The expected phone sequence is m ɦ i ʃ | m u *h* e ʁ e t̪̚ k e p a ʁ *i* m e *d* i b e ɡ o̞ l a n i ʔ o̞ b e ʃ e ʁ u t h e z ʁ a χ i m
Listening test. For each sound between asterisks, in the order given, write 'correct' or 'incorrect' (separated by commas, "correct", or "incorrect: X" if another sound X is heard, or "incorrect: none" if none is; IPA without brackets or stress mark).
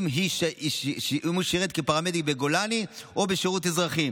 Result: incorrect: ʃ, incorrect: a, correct